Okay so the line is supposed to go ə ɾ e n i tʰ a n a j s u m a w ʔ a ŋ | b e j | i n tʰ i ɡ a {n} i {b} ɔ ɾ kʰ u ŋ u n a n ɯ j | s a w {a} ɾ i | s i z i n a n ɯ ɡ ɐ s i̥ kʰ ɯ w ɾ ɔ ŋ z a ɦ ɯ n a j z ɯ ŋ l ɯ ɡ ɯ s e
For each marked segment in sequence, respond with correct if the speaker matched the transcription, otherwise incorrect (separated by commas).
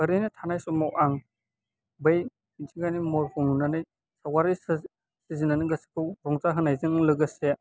correct, incorrect, correct